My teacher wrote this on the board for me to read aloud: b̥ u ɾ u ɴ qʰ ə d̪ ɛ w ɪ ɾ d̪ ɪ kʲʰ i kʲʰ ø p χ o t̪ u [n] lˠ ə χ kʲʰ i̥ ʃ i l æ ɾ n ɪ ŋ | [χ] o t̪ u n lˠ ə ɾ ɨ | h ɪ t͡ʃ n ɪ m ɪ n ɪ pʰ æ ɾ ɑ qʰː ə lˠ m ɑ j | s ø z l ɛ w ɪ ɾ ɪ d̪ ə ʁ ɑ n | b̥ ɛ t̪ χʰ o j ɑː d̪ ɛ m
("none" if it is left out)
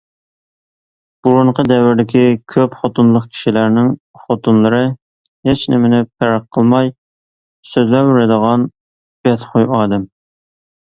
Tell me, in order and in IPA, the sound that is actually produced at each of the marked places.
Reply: n, χ

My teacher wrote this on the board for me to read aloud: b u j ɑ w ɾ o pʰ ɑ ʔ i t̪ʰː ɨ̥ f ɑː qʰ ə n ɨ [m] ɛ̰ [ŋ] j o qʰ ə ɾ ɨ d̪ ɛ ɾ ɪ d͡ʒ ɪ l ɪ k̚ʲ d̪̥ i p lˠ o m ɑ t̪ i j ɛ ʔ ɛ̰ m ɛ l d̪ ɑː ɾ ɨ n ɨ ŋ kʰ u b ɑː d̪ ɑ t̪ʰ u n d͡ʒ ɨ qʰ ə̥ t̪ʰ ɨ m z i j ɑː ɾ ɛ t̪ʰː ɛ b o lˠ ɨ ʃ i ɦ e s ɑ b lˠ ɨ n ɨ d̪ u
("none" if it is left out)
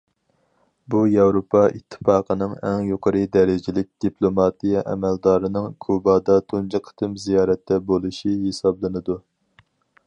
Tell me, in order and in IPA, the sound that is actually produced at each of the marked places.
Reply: ŋ, ŋ

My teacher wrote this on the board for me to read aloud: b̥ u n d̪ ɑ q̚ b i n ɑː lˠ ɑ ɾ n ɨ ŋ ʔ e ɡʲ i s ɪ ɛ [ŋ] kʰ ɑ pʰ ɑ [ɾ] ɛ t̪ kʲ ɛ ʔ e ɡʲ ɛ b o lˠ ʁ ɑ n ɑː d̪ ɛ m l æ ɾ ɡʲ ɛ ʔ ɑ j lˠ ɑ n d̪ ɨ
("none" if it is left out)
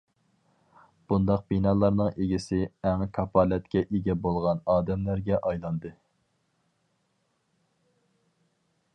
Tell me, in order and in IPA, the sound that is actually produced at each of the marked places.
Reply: ŋ, l

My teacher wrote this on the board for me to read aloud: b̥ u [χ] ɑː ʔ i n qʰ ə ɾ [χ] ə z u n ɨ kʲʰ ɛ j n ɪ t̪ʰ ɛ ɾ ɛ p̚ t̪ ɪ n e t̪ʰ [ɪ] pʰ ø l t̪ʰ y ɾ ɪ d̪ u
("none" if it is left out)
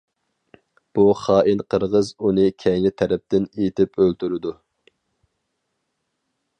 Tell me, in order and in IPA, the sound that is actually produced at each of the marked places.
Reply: χ, ʁ, ɪ

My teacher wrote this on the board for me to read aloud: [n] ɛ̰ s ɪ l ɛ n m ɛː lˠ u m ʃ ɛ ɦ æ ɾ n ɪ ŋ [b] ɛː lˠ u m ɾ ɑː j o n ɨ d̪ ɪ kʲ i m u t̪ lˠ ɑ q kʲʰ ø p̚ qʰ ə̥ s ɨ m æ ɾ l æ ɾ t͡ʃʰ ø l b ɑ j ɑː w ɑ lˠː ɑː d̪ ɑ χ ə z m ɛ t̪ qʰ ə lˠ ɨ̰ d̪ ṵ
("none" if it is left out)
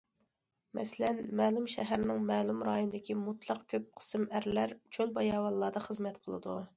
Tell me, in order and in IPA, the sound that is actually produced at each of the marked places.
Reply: m, m

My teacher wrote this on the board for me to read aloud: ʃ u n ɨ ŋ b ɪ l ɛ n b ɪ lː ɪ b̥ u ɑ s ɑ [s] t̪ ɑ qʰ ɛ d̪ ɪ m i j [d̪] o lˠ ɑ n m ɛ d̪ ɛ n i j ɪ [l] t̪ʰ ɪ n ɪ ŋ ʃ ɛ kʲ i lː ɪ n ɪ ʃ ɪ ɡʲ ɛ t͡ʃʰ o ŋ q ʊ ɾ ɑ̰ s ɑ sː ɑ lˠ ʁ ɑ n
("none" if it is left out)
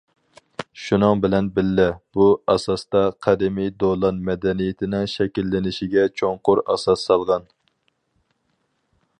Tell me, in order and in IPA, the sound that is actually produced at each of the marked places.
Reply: s, d̪, none

